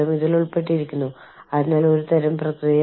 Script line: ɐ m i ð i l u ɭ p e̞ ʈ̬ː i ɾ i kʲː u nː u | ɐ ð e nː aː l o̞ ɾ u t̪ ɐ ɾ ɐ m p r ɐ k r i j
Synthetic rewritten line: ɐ m i ð i l u ɭ p e̞ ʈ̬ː i ɾ i kʲː u nː u | ɐ ð i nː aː l o̞ ɾ u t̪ ɐ ɾ ɐ m p r ɐ k r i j